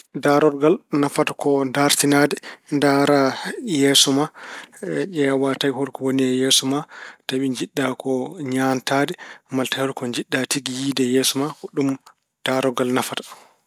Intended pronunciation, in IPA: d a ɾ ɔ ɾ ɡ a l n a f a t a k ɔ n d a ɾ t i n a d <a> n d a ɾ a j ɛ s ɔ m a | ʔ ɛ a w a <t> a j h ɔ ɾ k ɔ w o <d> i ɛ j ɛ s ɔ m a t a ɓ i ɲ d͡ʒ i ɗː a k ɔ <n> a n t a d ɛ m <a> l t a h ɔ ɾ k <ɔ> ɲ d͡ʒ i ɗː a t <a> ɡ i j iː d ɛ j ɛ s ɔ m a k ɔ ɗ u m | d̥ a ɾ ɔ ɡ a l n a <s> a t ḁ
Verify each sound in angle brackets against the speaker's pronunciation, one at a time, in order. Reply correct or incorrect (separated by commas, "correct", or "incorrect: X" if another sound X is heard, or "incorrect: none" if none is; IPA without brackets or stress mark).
incorrect: ɛ, correct, incorrect: n, incorrect: ɲ, correct, correct, incorrect: i, incorrect: f